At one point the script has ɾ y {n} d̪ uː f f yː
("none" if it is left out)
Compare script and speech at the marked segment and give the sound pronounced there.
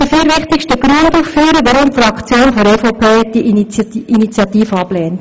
n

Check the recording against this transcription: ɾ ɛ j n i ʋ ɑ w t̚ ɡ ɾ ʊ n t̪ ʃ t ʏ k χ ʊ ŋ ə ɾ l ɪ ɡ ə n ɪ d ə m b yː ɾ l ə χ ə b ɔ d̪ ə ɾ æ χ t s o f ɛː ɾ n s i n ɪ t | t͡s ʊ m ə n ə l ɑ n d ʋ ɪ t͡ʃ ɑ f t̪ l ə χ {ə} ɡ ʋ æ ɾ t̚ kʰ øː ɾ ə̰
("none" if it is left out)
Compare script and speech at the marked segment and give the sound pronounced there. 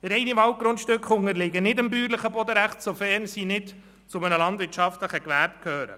ə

